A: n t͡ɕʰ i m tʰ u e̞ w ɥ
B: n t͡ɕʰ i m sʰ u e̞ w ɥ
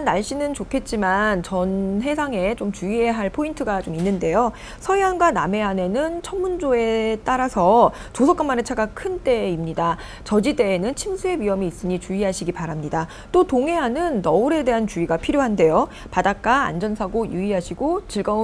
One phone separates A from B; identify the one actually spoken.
B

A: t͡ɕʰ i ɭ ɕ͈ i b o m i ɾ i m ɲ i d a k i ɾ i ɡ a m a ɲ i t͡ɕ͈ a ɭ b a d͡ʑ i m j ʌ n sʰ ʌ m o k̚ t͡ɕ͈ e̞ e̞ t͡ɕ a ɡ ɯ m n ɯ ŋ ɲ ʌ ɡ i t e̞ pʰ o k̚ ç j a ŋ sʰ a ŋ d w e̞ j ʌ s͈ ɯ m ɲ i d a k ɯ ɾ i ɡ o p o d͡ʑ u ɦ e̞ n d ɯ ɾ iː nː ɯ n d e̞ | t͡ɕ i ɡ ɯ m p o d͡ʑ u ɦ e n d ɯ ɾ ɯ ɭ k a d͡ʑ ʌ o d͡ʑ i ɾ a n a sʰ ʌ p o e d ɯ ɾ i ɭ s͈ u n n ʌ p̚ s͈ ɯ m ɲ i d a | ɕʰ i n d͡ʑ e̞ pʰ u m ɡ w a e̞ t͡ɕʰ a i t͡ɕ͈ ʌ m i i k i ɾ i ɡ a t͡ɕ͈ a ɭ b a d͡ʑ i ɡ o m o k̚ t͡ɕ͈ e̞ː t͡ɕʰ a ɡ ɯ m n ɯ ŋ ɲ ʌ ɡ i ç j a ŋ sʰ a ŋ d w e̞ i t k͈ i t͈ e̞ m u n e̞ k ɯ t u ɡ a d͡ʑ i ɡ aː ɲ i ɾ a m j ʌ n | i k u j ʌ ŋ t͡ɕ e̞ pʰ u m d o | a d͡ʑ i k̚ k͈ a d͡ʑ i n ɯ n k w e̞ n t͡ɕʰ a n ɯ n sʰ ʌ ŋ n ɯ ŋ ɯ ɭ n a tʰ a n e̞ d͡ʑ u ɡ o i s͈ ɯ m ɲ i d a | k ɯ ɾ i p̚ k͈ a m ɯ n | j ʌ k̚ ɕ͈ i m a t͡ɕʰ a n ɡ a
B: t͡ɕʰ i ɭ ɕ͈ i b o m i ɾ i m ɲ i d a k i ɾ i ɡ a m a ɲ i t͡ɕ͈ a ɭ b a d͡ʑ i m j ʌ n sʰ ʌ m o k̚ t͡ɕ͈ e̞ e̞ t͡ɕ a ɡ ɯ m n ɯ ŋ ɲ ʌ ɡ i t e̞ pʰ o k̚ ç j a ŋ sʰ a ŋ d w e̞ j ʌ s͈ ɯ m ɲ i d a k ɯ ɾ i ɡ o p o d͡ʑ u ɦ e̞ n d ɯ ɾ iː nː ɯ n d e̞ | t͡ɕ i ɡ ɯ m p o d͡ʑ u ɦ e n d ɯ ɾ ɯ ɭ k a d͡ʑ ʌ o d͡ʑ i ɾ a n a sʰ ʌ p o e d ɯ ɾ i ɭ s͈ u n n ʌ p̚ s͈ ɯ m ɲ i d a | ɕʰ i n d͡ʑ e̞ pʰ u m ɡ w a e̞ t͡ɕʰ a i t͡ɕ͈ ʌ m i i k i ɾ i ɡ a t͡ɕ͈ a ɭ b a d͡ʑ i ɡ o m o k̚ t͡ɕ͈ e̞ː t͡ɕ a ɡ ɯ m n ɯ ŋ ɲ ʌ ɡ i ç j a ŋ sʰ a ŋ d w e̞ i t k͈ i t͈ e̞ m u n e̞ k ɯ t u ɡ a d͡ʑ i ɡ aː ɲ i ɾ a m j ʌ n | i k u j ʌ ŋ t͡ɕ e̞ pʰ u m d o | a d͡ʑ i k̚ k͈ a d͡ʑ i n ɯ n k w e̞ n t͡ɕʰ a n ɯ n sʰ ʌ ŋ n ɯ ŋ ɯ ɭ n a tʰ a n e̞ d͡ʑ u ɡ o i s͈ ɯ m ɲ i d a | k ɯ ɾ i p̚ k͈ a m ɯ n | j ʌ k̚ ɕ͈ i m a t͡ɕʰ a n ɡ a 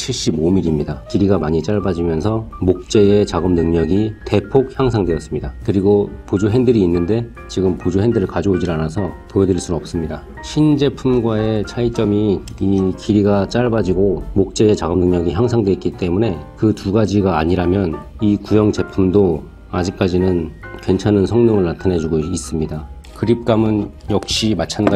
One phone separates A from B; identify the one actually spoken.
B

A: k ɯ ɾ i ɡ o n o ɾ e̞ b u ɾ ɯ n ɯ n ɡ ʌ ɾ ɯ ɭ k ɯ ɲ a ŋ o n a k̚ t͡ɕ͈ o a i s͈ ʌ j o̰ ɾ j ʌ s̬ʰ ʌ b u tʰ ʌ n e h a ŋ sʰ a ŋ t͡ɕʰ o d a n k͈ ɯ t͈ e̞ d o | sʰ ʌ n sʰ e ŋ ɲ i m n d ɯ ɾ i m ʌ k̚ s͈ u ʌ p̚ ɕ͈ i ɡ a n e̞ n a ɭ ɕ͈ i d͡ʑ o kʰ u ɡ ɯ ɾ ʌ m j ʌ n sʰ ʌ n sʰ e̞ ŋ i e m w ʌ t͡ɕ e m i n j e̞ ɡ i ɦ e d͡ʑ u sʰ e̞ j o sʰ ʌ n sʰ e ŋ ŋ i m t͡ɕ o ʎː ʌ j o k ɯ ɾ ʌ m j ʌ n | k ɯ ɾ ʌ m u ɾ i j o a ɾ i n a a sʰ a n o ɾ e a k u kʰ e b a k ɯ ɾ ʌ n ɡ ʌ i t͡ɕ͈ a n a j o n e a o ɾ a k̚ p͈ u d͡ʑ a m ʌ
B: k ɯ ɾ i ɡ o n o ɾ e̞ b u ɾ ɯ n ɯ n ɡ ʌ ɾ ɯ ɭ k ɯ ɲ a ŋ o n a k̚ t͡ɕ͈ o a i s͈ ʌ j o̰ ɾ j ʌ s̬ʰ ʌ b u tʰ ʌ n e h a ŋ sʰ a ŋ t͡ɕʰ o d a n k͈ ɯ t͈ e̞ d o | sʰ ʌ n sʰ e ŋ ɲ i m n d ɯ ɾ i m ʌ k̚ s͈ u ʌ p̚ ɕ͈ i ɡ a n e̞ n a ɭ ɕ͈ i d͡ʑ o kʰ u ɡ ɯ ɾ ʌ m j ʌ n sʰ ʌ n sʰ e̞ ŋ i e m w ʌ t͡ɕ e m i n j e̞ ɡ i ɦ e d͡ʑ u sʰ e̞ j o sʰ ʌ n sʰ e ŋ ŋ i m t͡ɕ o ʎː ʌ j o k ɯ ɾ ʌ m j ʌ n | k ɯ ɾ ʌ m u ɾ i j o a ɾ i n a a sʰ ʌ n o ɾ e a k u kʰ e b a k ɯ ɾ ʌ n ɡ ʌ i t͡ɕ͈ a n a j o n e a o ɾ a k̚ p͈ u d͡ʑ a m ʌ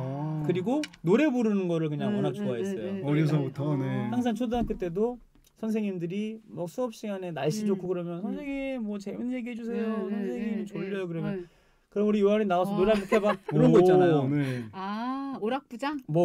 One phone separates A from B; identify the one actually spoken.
B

